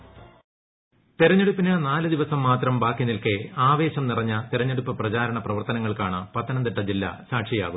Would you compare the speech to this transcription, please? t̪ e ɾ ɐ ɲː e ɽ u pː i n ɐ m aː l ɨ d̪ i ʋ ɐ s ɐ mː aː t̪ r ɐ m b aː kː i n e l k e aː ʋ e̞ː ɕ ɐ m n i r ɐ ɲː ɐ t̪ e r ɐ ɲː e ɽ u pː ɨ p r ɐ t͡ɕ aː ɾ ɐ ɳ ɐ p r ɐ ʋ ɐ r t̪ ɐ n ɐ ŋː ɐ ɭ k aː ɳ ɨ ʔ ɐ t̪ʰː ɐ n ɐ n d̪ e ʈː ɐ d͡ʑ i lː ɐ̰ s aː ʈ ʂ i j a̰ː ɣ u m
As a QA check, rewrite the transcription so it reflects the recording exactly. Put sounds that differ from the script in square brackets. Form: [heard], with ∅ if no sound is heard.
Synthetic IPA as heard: t̪ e ɾ ɐ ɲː e ɽ u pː i n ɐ [n] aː l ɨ d̪ i ʋ ɐ s ɐ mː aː t̪ r ɐ m b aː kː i n [i] l k e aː ʋ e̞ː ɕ ɐ m n i r ɐ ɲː ɐ t̪ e [ɾ] ɐ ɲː e ɽ u pː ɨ p r ɐ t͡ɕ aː ɾ ɐ ɳ ɐ p r ɐ ʋ ɐ r t̪ ɐ n ɐ ŋː ɐ ɭ k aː ɳ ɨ [p] ɐ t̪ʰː ɐ n ɐ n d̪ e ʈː ɐ d͡ʑ i lː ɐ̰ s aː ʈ ʂ i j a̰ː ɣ u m